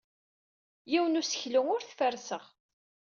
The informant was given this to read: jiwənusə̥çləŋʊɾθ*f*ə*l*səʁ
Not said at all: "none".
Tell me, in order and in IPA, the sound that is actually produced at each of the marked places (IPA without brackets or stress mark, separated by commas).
f, ɾ